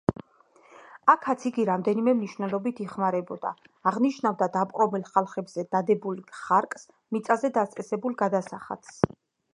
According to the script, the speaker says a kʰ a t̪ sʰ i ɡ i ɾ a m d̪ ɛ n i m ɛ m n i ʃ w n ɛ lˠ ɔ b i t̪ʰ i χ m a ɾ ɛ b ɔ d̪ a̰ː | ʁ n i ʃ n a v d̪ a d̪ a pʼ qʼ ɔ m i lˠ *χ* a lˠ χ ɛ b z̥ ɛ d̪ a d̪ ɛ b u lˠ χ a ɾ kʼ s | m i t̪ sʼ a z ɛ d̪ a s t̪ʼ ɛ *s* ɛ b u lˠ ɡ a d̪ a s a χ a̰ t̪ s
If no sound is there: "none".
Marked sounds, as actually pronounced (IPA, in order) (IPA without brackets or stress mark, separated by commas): χ, s